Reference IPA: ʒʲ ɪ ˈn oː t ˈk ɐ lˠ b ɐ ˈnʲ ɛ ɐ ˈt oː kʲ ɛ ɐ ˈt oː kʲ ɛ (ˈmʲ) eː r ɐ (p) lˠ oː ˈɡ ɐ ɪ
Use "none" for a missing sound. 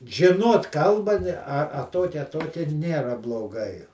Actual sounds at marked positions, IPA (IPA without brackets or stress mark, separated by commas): nʲ, b